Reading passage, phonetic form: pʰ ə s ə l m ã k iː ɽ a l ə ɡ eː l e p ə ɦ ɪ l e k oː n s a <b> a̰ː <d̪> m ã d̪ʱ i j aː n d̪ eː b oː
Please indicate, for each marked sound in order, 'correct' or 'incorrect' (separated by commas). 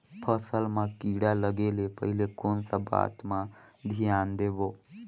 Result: correct, incorrect